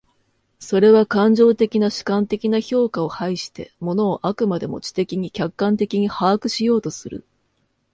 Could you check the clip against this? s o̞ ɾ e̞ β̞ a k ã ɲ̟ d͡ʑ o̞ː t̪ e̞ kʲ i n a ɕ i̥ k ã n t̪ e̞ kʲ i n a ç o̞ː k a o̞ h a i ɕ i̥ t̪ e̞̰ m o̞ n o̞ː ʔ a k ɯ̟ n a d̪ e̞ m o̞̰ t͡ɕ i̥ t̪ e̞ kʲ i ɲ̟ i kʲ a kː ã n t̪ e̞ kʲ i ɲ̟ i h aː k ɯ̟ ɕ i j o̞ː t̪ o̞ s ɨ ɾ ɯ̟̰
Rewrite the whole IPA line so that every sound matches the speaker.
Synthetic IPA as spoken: s o̞ ɾ e̞ β̞ a k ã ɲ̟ d͡ʑ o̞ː t̪ e̞ kʲ i n a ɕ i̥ k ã n t̪ e̞ kʲ i n a ç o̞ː k a o̞ h a i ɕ i̥ t̪ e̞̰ m o̞ n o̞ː ʔ a k ɯ̟ m a d̪ e̞ m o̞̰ t͡ɕ i̥ t̪ e̞ kʲ i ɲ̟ i kʲ a kː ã n t̪ e̞ kʲ i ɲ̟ i h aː k ɯ̟ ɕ i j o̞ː t̪ o̞ s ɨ ɾ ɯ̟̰

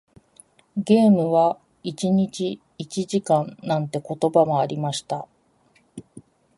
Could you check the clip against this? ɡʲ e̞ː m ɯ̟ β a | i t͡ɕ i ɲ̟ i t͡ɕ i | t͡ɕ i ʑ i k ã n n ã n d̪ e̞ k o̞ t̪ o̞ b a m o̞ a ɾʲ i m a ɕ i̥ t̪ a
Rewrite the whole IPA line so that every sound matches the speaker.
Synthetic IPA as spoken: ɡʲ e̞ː m ɯ̟ β a | i t͡ɕ i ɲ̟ i t͡ɕ iː | t͡ɕ i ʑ i k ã n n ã n t̪ e̞ k o̞ t̪ o̞ b a m o̞ a ɾʲ i m a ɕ i̥ t̪ a

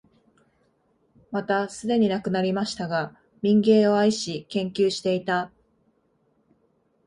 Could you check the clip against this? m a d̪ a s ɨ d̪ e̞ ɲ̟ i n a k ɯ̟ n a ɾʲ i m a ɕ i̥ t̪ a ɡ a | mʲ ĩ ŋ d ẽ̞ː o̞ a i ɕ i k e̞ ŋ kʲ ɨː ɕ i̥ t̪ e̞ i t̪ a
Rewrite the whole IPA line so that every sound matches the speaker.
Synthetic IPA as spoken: m a t̪ a s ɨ d̪ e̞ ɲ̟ i n a k ɯ̟ n a ɾʲ i m a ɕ i̥ t̪ a ɡ a | mʲ ĩ ŋ ɡ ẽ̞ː o̞ a i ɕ i k ẽ̞ ŋ kʲ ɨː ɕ i̥ t̪ e̞ i t̪ a

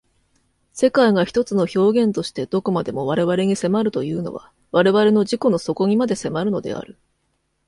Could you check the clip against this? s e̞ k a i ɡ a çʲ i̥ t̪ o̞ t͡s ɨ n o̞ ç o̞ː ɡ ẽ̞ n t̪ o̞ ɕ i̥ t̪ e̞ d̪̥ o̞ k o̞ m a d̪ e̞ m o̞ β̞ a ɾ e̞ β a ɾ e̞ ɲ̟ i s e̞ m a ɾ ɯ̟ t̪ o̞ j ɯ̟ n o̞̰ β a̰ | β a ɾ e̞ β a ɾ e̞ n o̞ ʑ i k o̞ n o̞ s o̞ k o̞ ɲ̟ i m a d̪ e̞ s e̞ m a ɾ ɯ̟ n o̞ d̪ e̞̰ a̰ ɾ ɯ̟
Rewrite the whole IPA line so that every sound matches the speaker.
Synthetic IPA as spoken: s e̞ k a i ɡ a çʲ i̥ t̪ o̞ t͡s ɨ n o̞ ç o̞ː ɡ ẽ̞ n t̪ o̞ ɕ i̥ t̪ e̞ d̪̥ o̞ k o̞ m a d̪ e̞ m o̞ β̞ a ɾ e̞ β a ɾ e̞ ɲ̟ i s e̞ m a ɾ ɯ̟ t̪ o̞ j ɯ̟ː n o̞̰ β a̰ | β a ɾ e̞ β a ɾ e̞ n o̞ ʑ i k o̞ n o̞ s o̞ k o̞ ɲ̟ i m a d̪ e̞ s e̞ m a ɾ ɯ̟ n o̞ d̪ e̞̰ a̰ ɾ ɯ̟

